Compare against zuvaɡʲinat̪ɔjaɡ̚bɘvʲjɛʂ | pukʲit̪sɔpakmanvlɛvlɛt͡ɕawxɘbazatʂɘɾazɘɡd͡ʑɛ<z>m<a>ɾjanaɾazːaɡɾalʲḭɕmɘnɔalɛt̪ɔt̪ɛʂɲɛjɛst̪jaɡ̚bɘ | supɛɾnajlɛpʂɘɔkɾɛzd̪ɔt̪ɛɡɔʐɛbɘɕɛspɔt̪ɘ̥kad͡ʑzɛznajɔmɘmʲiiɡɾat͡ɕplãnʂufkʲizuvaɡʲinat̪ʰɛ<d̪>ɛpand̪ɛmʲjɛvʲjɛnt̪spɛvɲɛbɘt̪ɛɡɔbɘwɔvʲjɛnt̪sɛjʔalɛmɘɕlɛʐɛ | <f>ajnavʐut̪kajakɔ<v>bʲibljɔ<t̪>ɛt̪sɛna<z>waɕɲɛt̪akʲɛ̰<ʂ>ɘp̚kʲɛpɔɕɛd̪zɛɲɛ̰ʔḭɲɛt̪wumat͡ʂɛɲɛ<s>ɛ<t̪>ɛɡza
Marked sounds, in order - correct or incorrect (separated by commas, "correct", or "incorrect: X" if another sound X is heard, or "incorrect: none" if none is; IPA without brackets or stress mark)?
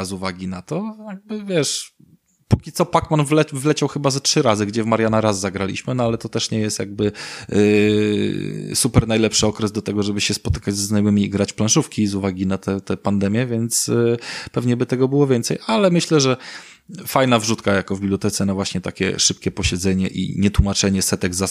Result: incorrect: v, correct, incorrect: t̪, correct, correct, correct, incorrect: v, correct, correct, correct